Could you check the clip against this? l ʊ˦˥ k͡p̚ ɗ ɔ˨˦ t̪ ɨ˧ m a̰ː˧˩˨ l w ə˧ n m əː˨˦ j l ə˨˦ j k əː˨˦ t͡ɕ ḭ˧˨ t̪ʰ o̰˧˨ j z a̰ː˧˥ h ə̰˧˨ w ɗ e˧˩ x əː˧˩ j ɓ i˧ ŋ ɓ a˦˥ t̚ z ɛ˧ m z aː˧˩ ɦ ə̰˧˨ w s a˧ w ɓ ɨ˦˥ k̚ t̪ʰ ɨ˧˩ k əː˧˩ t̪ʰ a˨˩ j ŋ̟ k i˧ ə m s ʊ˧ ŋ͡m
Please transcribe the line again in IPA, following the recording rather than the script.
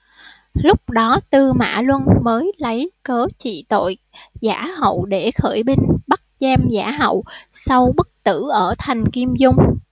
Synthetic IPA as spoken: l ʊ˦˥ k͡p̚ ɗ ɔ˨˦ t̪ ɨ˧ m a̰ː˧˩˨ l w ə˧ n m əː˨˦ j l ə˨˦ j k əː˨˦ t͡ɕ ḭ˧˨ t̪ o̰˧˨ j z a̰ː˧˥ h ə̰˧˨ w ɗ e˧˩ x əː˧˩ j ɓ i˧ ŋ ɓ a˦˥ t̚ z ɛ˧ m z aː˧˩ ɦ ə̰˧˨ w s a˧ w ɓ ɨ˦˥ k̚ t̪ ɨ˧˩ ʔ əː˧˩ t̪ʰ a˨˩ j ŋ̟ k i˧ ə m z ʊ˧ ŋ͡m

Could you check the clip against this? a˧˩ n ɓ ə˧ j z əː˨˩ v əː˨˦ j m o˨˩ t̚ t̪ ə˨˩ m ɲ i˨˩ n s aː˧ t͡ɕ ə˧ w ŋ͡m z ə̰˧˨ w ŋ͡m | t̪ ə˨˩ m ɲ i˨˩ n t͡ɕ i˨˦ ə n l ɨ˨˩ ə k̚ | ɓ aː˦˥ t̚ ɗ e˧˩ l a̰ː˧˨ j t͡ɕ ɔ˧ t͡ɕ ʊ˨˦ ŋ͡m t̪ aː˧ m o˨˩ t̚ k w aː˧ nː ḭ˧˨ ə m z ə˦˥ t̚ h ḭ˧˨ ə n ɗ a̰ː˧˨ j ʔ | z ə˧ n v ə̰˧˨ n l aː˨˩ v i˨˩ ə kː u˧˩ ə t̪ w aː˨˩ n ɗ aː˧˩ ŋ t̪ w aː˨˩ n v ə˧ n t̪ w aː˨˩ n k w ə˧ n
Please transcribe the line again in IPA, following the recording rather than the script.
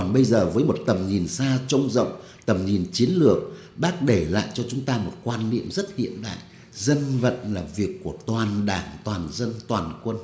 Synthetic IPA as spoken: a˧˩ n ɓ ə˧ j z əː˨˩ v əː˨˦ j m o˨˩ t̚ t̪ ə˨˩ m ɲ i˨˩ n s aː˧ t͡ɕ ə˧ w ŋ͡m z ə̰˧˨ w ŋ͡m | t̪ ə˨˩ m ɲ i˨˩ n t͡ɕ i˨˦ ə n l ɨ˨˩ ə k̚ | ɓ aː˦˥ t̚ ɗ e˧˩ l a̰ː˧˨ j t͡ɕ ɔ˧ t͡ɕ ʊ˨˦ ŋ͡m t̪ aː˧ m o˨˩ t̚ k w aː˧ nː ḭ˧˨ ə m z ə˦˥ t̚ h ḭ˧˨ ə n ɗ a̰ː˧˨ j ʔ | z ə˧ n v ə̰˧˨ n l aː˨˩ v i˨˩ ə kː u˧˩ ə t̪ w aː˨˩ n ɗ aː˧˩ ŋ t̪ w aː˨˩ n z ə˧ n t̪ w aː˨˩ n k w ə˧ n

